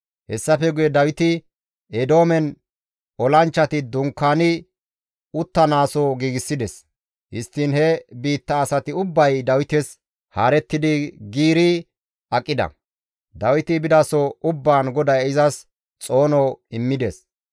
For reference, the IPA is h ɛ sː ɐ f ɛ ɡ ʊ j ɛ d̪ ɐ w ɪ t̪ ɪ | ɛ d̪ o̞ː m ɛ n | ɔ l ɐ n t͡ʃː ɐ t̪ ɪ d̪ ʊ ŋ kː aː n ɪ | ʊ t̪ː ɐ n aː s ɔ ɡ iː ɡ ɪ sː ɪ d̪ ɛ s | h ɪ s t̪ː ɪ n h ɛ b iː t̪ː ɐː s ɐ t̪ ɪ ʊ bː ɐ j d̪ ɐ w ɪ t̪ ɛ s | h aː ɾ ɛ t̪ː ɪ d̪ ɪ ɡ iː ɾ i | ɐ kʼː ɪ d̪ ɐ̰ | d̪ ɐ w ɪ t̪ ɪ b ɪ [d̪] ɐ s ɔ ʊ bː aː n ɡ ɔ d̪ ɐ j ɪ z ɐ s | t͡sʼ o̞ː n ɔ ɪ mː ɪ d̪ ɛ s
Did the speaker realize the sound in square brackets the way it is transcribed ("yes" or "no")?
yes